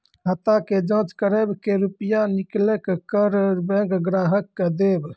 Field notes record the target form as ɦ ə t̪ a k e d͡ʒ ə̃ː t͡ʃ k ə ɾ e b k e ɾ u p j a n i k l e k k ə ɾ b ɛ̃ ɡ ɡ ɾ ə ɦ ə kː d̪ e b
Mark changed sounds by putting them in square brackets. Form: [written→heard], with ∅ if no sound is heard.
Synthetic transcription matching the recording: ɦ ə t̪ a k e d͡ʒ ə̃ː t͡ʃ k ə ɾ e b k e ɾ u p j a n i k l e k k ə ɾ b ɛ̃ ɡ ɡ ɾ [ə→a] ɦ ə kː d̪ e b